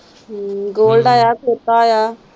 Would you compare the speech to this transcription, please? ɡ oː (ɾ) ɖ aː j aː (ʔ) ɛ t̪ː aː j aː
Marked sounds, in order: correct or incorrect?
incorrect: l, incorrect: k

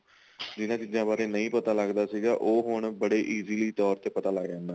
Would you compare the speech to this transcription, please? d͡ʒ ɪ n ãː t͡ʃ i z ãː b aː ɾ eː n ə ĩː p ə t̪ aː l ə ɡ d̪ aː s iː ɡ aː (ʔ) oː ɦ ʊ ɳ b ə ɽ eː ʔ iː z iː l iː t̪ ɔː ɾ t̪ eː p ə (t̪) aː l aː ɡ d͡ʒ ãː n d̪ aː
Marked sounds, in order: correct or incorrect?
correct, correct

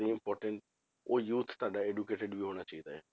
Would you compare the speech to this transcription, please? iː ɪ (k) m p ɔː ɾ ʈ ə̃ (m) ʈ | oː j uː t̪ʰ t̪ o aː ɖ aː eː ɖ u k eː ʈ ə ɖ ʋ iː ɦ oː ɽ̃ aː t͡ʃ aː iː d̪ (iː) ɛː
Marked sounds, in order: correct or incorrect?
incorrect: none, incorrect: ɳ, incorrect: aː

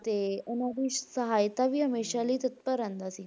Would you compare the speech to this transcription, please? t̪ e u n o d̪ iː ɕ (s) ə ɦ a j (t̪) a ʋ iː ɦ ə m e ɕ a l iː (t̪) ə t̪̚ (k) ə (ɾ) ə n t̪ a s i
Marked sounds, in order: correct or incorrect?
correct, correct, correct, incorrect: p, correct

